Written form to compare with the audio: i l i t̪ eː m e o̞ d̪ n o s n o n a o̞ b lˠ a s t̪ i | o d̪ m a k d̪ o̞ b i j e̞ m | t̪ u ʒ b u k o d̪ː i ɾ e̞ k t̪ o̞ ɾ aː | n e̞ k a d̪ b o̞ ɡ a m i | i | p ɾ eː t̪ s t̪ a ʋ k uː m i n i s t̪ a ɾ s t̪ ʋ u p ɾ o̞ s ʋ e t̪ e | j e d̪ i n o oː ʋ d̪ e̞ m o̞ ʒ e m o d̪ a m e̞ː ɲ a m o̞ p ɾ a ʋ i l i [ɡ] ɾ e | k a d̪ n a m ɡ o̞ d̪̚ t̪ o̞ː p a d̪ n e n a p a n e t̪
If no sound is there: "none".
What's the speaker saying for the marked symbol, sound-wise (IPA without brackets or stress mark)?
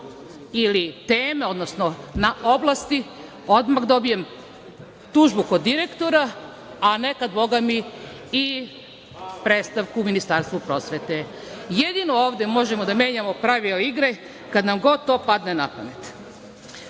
ɡ